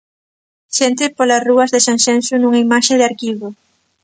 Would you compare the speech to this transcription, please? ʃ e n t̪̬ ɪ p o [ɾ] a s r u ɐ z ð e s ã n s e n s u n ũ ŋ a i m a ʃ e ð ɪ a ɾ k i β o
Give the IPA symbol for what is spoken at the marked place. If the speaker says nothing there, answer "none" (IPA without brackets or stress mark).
l